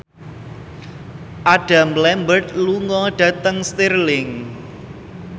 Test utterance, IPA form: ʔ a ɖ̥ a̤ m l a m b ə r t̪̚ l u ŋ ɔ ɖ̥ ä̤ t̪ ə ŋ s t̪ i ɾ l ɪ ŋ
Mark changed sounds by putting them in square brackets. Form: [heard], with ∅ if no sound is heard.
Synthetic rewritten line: ʔ a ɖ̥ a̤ m l [ɛ] m b ə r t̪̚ l u ŋ ɔ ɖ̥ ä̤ t̪ ə ŋ s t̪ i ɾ l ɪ ŋ